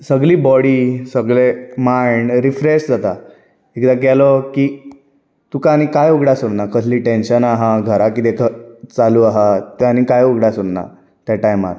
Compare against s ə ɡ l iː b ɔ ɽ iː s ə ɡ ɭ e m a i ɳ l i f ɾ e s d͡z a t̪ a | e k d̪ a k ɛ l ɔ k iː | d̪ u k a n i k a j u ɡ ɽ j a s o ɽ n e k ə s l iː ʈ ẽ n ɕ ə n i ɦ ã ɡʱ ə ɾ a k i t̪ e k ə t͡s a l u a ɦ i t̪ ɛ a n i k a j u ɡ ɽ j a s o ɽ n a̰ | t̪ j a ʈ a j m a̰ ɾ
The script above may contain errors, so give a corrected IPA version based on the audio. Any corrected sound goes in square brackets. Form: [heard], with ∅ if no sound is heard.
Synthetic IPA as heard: s ə ɡ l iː b ɔ ɽ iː s ə ɡ ɭ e m a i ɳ [ɾ] i f ɾ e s d͡z a t̪ a | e k d̪ a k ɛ l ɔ k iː | [t̪] u k a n i k a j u ɡ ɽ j a s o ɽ n [a] k ə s l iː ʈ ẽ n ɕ ə n [a] ɦ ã ɡʱ ə ɾ a k i t̪ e k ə t͡s a l u a ɦ [a] t̪ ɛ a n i k a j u ɡ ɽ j a s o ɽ n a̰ | t̪ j a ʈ a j m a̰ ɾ